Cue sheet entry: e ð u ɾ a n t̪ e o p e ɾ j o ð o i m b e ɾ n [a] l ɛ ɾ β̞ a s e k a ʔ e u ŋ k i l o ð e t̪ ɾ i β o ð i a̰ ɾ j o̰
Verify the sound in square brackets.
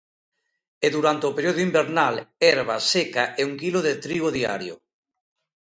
correct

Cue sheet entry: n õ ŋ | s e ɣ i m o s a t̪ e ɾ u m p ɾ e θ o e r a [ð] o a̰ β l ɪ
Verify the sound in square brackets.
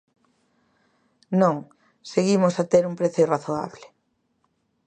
incorrect: θ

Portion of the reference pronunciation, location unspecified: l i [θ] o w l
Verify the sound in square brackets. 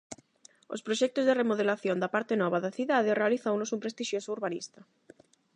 correct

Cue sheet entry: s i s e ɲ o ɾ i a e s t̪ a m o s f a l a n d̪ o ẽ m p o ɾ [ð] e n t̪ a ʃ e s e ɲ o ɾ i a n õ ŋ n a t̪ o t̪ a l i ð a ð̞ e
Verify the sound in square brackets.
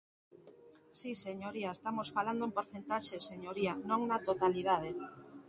incorrect: θ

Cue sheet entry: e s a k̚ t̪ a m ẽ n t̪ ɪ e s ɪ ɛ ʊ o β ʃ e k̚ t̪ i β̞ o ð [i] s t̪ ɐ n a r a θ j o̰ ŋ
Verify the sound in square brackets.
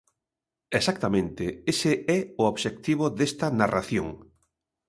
incorrect: e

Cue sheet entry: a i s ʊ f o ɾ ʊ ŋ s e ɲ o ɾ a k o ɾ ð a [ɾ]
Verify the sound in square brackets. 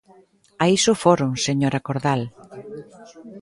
incorrect: l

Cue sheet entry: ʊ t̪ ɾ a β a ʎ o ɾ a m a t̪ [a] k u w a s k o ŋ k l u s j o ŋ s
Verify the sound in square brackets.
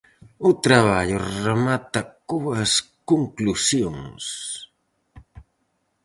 correct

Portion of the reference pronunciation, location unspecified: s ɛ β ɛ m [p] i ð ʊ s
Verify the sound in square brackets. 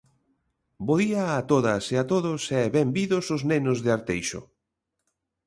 incorrect: b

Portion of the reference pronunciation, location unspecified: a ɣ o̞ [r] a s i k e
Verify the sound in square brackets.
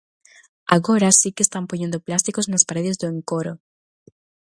incorrect: ɾ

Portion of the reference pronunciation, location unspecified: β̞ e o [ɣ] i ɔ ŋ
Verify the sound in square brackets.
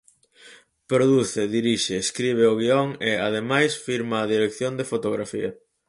correct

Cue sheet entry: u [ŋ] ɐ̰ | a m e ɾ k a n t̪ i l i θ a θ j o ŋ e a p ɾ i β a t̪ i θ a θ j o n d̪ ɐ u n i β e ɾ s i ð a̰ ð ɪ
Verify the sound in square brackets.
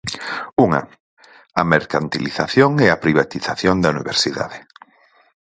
correct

